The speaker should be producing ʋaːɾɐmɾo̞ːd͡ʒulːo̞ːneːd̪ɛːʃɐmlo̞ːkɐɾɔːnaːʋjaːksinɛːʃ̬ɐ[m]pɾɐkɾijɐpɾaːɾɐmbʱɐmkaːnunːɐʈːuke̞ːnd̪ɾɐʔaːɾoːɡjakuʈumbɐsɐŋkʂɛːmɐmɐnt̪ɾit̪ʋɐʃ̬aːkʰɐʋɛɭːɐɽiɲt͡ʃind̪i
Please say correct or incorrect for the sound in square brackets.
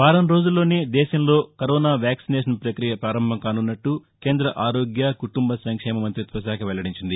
incorrect